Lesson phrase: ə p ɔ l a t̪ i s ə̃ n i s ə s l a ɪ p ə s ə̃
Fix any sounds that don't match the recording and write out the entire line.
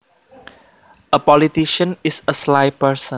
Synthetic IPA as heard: ə p ɔ l i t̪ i ʃ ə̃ n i s ə s l a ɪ p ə s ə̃